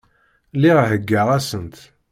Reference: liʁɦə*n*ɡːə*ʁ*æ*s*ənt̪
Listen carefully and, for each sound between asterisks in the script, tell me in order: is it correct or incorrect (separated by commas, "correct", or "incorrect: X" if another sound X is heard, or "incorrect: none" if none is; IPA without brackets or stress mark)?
incorrect: none, correct, correct